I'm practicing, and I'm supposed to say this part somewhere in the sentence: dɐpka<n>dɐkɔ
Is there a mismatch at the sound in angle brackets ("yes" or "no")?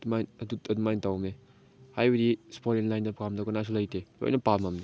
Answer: yes